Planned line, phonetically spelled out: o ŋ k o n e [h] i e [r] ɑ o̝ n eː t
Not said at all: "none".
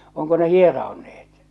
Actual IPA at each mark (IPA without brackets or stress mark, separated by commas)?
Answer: h, r